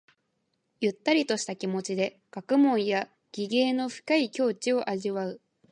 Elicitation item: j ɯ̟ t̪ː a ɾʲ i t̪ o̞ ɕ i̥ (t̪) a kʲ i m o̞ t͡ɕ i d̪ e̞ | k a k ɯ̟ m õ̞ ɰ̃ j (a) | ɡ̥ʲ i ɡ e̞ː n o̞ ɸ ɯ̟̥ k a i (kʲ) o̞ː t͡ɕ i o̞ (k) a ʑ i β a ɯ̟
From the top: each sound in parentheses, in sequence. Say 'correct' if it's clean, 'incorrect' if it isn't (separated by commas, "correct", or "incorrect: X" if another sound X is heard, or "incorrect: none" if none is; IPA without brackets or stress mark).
correct, correct, correct, incorrect: ʔ